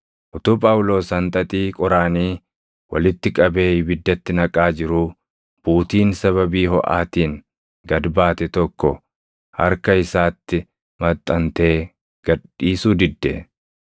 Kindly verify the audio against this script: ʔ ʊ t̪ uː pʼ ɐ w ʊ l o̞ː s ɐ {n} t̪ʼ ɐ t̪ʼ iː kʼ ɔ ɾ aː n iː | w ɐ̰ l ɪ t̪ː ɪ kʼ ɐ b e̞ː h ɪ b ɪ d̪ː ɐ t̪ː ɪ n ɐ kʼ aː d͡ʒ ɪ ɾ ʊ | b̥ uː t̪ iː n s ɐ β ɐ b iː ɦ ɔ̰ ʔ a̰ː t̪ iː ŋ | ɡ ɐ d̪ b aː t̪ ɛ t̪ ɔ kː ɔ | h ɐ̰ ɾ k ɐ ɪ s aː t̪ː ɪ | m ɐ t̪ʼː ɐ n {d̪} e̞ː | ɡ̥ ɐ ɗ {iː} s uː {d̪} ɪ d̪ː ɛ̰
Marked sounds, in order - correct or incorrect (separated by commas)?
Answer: correct, incorrect, correct, correct